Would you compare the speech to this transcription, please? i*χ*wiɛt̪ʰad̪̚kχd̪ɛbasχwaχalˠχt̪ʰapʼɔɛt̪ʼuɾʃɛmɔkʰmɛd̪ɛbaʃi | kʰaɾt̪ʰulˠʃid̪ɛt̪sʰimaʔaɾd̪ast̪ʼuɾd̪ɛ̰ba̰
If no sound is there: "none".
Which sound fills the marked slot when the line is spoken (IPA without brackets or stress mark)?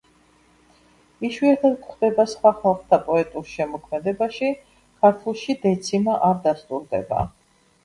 ʃ